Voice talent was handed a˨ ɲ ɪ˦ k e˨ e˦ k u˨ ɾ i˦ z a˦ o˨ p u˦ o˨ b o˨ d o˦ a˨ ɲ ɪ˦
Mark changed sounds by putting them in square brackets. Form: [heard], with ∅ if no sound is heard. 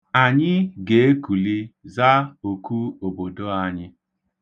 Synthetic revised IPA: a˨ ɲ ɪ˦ [ɡ] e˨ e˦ k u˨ [l] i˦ z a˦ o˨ [k] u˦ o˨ b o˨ d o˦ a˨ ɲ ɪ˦